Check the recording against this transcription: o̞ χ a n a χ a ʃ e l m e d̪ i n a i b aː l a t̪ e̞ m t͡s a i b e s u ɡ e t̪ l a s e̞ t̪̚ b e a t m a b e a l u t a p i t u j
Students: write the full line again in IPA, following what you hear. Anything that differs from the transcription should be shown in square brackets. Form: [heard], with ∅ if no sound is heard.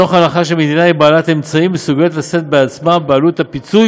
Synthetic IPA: o̞ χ a n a χ a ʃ e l m e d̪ i n a i b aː l a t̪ e̞ m t͡s a i [m] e s u ɡ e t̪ l a s e̞ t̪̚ b e a [t͡s] m a b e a l u t a p i [t͡s] u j